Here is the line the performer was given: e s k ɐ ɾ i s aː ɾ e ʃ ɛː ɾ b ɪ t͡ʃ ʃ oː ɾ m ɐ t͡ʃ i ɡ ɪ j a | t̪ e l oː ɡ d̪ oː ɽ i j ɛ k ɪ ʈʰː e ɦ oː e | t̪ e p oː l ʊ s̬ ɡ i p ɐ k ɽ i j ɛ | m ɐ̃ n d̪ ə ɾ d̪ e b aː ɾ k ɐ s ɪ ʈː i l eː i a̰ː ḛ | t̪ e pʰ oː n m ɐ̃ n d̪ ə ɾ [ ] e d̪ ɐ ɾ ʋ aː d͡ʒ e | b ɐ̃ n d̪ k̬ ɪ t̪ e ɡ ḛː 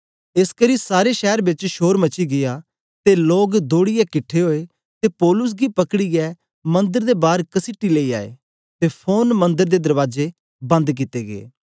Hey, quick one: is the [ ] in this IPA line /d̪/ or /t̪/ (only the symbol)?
d̪